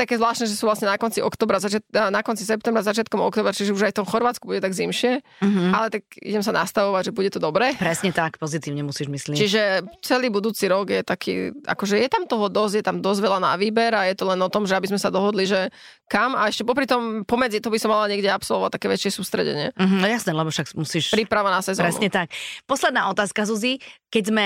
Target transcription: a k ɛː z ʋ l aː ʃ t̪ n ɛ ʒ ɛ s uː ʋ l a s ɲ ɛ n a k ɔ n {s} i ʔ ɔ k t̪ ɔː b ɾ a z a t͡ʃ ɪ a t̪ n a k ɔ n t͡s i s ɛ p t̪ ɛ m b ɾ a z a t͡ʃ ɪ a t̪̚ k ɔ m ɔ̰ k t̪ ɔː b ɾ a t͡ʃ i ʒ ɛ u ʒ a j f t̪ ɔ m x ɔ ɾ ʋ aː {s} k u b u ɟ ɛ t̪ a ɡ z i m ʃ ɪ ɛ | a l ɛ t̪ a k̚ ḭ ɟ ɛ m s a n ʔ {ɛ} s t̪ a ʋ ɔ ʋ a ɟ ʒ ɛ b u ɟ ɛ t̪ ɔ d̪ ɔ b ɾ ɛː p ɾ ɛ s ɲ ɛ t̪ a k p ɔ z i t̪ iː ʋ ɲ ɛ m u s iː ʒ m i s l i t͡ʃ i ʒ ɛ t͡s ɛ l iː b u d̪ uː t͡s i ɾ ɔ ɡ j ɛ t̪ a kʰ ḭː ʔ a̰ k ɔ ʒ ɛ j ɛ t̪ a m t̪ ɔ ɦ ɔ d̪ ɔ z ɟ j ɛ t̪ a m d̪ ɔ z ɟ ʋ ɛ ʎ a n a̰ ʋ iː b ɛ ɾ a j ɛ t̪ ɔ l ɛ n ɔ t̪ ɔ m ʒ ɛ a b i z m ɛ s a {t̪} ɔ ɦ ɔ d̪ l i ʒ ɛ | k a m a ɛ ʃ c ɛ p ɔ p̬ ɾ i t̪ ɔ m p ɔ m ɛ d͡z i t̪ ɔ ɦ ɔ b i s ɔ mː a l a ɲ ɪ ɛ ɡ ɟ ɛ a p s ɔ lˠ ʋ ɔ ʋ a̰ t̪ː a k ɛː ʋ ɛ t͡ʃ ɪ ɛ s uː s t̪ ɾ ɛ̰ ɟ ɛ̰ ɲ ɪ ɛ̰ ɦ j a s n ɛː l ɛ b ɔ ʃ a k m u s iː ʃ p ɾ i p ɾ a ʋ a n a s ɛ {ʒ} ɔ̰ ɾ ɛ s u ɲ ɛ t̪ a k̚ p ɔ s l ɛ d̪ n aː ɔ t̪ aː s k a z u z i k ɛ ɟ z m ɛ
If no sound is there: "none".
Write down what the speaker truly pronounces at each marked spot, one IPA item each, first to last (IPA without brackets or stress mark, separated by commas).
t͡s, t͡s, a, d̪, z